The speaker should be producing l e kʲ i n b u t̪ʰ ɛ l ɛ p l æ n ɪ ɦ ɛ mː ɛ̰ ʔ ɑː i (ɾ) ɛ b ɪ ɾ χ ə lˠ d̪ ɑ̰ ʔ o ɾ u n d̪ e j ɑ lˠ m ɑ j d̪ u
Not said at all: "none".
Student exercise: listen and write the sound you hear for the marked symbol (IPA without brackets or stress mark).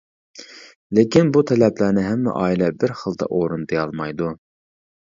l